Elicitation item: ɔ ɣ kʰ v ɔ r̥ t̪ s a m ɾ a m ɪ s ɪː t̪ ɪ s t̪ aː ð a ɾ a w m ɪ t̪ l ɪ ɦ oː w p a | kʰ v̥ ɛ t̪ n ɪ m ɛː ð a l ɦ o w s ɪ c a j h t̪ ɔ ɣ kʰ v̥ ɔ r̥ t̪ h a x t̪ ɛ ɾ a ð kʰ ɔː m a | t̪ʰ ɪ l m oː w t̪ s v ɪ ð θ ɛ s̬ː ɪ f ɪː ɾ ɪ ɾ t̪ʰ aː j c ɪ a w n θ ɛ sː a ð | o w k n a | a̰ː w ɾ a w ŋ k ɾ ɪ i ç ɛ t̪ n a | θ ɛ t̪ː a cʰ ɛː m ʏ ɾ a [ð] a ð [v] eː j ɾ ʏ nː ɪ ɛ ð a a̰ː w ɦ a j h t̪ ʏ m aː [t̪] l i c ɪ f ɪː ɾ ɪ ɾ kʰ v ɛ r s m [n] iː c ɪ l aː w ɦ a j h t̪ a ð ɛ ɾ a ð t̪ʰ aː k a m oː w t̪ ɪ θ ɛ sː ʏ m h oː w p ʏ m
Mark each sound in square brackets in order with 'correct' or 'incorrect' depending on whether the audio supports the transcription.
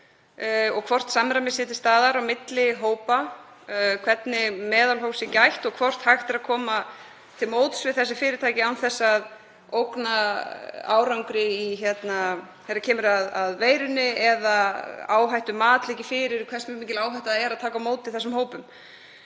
correct, correct, correct, incorrect: m

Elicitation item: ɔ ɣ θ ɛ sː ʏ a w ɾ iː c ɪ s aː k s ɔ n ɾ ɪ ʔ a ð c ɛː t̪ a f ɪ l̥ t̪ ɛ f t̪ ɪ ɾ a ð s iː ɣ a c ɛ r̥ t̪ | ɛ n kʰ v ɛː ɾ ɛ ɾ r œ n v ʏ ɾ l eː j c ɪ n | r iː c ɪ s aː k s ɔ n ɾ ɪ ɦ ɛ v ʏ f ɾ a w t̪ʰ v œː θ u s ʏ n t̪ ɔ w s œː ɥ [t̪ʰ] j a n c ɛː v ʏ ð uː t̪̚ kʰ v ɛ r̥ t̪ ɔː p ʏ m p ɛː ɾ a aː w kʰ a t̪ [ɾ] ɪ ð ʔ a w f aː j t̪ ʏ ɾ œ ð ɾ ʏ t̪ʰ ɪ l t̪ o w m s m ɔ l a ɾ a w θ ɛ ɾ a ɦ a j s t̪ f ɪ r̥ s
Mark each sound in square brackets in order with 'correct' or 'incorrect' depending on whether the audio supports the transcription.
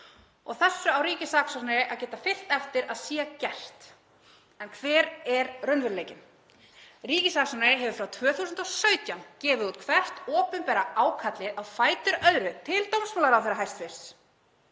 incorrect: t̪, incorrect: l

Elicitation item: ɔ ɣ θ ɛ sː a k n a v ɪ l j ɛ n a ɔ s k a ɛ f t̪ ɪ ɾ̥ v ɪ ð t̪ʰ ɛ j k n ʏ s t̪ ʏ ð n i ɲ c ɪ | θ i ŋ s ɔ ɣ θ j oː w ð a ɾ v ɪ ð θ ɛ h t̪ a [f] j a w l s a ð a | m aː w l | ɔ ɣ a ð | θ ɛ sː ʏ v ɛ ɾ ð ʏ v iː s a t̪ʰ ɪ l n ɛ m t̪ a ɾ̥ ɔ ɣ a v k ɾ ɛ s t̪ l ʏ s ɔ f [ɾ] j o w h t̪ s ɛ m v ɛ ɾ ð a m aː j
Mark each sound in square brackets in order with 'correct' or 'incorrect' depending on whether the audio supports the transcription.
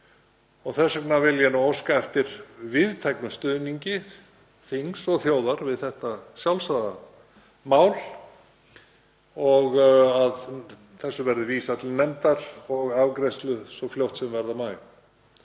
incorrect: s, incorrect: l

